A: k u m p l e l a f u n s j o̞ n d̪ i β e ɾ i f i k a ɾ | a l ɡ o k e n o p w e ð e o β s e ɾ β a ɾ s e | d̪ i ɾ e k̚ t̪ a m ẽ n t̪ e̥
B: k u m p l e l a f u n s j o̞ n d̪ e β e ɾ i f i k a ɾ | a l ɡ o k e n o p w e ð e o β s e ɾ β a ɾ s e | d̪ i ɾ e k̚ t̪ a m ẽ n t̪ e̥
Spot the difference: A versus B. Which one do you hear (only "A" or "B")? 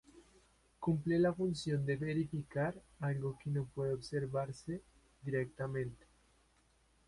B